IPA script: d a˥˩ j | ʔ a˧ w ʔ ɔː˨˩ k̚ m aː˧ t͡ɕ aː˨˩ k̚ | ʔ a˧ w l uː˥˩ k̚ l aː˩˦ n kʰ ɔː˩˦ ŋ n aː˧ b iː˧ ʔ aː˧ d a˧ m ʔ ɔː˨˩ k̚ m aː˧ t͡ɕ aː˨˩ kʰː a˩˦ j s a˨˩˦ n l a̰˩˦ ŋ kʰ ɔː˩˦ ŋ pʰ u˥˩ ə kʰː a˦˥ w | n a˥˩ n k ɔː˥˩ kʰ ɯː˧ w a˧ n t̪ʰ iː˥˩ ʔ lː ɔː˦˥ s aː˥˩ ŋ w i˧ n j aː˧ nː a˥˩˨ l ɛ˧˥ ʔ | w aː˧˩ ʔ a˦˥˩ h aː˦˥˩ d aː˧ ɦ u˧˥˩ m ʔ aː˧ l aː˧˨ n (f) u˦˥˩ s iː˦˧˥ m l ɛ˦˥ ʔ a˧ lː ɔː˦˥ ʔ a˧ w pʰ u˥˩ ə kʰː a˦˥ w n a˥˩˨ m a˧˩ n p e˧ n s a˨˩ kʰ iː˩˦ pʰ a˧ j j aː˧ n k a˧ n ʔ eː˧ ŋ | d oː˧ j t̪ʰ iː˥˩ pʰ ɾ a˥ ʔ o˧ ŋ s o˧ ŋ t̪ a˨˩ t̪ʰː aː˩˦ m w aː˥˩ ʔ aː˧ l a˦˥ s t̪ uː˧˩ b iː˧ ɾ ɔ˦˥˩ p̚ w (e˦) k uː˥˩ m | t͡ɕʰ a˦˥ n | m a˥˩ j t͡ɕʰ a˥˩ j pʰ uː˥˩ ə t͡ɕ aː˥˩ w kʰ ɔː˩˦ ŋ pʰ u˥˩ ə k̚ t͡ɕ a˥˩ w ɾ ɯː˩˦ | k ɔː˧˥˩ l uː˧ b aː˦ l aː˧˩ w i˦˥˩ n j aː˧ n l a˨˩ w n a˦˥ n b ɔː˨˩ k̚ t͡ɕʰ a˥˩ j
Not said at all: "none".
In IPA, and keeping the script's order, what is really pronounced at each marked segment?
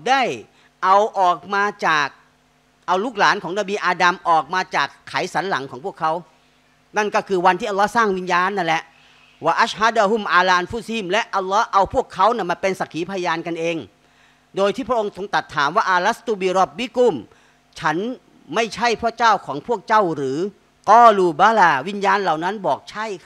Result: f, i˦

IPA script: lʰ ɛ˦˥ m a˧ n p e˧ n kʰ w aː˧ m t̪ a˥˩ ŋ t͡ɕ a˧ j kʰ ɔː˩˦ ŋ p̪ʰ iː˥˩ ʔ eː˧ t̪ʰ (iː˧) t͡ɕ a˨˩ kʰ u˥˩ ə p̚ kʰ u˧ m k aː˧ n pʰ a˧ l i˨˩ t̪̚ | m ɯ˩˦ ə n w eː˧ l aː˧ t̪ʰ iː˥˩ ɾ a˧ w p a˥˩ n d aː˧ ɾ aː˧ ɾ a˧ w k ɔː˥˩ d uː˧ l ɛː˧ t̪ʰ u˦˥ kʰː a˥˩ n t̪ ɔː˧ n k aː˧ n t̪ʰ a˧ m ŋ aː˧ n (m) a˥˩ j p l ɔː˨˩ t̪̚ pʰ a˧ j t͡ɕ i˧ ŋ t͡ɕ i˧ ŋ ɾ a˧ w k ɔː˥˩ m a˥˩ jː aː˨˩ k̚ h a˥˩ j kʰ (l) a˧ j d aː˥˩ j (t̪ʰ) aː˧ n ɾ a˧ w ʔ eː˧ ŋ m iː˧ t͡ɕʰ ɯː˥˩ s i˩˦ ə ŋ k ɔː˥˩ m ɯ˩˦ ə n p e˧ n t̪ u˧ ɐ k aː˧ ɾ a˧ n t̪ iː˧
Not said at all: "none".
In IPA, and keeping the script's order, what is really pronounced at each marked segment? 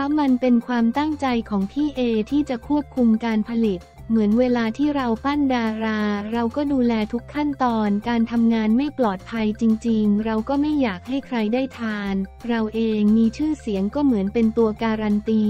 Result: iː˥˩, m, ɾ, t̪ʰ

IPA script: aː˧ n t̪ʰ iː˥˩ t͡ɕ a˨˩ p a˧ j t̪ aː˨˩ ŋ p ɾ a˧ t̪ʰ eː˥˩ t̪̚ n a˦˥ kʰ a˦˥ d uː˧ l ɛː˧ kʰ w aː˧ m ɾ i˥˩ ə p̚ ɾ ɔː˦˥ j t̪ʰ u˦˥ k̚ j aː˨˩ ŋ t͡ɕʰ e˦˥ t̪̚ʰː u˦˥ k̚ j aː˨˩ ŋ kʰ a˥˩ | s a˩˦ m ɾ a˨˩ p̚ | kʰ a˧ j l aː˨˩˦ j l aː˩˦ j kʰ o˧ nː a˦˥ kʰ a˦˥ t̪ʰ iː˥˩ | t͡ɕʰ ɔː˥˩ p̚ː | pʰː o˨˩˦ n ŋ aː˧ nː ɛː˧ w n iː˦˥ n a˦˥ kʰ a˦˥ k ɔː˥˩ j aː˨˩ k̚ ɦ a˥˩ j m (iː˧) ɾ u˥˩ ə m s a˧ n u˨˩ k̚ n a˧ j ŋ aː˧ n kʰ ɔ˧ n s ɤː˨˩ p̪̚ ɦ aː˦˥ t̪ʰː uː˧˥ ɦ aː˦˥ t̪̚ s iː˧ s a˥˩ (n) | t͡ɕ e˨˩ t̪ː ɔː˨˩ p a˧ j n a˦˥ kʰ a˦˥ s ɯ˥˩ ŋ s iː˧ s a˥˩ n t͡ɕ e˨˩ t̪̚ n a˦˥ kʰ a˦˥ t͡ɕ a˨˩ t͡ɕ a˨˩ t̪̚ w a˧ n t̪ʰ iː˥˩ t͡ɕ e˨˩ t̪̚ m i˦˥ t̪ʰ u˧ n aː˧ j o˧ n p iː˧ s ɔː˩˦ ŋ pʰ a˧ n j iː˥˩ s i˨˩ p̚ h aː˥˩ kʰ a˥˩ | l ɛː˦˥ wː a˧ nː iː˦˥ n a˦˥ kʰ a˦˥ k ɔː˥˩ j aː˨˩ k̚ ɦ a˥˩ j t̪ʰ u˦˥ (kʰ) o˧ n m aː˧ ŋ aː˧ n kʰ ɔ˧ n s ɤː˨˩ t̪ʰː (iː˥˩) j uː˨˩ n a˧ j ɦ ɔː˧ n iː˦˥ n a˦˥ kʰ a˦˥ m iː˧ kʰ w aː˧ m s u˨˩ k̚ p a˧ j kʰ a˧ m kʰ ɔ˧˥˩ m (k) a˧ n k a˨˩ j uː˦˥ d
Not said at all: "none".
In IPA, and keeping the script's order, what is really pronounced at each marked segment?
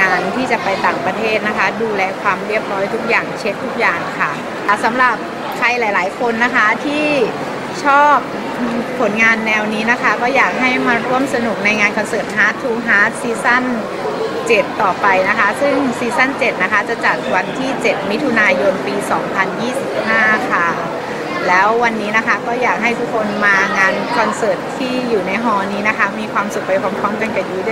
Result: aː˧, n, kʰ, iː˥˩, k

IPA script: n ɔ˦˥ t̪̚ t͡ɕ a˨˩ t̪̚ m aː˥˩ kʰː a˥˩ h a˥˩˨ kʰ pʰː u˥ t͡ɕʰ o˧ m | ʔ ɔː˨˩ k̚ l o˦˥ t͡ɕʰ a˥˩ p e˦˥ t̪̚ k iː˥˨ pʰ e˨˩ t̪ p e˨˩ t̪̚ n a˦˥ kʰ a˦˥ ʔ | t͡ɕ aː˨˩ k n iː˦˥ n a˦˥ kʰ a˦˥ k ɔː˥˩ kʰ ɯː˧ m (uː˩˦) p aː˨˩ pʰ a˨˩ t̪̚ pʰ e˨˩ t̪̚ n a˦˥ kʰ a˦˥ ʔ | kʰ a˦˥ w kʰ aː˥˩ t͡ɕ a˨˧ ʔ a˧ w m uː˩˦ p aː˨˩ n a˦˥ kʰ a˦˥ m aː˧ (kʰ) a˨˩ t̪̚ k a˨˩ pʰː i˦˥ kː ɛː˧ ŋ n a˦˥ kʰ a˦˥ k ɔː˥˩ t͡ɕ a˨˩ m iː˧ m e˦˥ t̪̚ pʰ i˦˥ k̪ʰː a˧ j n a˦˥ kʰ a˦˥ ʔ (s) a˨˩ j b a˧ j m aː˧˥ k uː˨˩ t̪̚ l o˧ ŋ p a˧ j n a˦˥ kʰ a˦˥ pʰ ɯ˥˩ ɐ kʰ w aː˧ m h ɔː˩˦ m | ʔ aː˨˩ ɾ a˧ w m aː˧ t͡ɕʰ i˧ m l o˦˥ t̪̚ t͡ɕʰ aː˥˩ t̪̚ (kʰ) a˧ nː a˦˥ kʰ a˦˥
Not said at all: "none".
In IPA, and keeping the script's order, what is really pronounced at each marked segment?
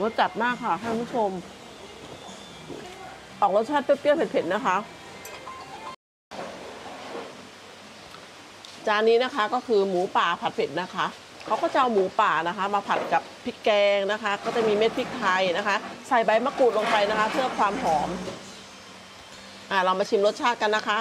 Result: uː˩˦, pʰ, s, k

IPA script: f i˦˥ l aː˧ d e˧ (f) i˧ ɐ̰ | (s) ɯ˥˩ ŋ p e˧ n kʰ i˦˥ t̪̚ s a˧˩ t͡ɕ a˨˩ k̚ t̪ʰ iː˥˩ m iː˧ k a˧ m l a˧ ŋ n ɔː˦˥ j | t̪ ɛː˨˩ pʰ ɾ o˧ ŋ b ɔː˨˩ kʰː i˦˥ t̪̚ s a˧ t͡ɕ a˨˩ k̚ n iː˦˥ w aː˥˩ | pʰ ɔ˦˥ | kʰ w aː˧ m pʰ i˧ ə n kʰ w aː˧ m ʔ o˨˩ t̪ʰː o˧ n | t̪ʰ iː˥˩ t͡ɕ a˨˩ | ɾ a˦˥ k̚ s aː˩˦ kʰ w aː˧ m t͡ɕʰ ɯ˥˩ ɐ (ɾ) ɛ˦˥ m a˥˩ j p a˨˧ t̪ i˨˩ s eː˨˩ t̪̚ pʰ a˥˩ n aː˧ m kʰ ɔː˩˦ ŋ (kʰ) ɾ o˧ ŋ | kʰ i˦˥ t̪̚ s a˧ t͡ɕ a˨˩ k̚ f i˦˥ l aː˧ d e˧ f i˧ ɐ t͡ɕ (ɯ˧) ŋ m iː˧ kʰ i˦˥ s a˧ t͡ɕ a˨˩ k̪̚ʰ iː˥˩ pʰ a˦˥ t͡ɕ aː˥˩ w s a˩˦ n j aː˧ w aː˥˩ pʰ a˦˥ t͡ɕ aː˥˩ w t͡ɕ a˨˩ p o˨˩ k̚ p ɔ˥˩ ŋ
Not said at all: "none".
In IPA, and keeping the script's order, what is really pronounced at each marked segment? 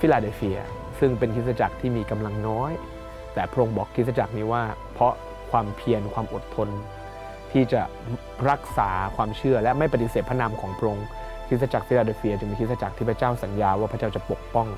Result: f, s, l, pʰ, ɯ˧

